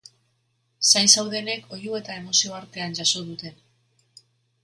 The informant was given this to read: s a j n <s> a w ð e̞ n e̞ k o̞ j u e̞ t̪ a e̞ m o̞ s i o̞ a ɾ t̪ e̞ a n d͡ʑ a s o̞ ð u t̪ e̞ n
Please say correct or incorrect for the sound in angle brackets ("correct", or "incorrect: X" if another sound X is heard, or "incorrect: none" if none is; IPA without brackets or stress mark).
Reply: correct